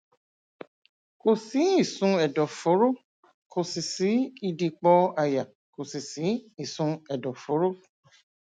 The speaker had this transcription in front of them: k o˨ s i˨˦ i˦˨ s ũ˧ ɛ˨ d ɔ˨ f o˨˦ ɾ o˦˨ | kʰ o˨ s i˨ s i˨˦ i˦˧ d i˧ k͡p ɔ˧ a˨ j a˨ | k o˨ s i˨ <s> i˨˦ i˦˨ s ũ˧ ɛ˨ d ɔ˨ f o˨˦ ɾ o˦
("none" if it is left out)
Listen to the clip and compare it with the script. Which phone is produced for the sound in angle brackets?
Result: s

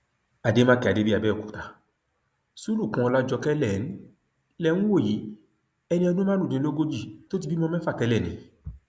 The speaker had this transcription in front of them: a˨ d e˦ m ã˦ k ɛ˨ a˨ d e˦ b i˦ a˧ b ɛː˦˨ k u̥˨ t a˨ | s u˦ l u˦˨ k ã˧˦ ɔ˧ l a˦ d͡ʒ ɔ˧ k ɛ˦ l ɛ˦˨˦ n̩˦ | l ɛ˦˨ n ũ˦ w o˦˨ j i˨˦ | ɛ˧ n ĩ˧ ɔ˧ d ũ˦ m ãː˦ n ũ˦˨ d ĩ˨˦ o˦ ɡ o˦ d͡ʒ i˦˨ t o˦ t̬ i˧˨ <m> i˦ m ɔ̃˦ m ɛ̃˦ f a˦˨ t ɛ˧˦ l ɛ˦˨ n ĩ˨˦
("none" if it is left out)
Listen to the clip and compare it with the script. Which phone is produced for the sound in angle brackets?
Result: b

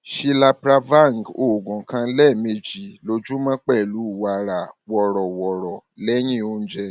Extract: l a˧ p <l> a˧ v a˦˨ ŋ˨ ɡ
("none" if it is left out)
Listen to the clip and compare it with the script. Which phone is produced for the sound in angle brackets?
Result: ɾ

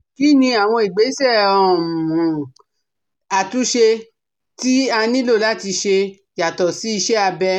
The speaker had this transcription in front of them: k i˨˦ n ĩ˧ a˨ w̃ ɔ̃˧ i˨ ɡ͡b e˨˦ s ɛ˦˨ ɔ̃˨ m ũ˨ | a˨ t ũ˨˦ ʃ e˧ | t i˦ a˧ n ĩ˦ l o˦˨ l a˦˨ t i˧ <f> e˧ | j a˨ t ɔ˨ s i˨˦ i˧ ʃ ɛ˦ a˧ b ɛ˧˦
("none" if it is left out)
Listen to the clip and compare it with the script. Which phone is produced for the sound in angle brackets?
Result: ʃ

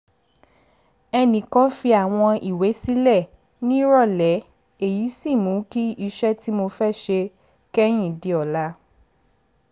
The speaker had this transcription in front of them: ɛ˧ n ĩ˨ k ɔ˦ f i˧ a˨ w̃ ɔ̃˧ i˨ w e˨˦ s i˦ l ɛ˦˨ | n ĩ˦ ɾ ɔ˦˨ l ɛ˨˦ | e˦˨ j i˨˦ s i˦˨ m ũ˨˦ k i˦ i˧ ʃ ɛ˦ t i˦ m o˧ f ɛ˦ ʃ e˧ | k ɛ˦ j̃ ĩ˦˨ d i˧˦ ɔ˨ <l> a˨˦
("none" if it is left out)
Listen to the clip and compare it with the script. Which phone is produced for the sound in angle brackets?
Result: l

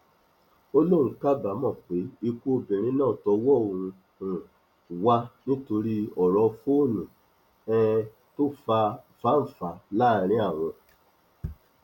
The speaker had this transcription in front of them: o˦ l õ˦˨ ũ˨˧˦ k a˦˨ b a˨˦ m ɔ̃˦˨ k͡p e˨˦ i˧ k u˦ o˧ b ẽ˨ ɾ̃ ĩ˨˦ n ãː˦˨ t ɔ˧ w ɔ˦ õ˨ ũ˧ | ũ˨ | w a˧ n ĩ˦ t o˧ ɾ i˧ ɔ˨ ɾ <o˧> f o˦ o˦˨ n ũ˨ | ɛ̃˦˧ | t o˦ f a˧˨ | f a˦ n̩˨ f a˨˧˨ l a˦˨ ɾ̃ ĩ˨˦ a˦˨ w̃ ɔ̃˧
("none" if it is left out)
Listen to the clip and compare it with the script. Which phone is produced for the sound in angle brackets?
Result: ɔ˧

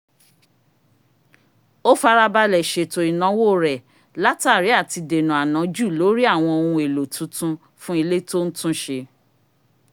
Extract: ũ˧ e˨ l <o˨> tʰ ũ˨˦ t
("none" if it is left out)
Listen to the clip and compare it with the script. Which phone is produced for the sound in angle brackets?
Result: o˨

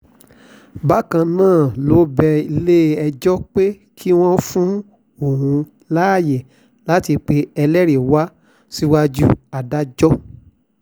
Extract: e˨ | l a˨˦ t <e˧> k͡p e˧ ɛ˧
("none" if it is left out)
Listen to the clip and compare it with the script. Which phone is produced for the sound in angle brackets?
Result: i˧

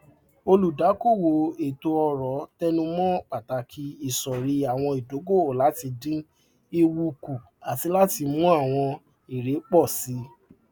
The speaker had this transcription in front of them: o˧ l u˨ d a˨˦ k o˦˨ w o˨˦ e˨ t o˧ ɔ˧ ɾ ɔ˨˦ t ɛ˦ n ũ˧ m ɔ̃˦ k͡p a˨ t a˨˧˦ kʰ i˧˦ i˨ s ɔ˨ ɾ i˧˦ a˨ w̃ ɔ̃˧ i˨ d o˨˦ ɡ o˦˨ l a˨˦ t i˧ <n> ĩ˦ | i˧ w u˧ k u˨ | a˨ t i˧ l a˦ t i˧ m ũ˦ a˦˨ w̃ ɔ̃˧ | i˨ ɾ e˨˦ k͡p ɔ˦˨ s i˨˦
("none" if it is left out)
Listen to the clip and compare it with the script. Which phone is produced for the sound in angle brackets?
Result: d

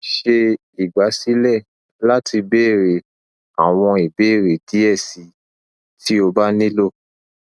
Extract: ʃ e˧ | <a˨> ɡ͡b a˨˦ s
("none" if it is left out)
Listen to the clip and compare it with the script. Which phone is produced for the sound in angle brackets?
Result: i˨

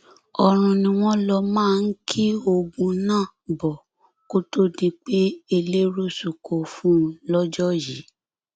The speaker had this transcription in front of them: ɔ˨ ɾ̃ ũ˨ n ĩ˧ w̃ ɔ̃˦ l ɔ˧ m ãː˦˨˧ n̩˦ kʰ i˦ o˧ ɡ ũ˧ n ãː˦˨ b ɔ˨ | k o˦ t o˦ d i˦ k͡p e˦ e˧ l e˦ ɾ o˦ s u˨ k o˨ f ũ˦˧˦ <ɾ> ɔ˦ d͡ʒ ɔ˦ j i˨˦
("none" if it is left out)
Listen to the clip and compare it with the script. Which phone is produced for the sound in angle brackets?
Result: l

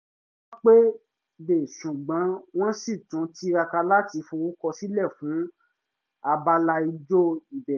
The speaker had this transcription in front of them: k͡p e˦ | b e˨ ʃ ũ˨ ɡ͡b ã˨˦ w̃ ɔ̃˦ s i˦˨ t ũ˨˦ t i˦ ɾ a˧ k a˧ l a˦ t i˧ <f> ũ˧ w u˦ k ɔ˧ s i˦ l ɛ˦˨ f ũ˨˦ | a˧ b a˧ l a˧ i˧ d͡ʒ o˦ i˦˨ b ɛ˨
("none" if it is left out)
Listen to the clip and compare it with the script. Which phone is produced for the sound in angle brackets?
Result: f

